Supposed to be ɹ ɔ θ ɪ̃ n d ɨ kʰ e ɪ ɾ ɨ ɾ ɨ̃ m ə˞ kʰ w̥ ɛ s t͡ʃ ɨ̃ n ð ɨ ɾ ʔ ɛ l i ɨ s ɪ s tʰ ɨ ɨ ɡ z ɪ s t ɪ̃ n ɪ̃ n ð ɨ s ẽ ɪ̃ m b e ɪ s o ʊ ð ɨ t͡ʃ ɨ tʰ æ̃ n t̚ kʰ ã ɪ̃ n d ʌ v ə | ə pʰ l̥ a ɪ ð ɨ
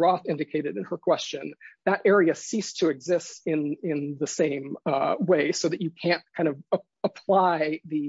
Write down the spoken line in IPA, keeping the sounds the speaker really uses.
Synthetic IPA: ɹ ɔ θ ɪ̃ n d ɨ kʰ e ɪ ɾ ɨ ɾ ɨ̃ n ə˞ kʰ w̥ ɛ s t͡ʃ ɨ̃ n ð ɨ ɾ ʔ ɛ ɹ i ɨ s i s tʰ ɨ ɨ ɡ z ɪ s t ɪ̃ n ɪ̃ n ð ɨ s ẽ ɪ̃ m w e ɪ s o ʊ ð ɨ t͡ʃ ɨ kʰ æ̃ n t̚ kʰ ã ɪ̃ n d ʌ v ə | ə pʰ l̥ a ɪ ð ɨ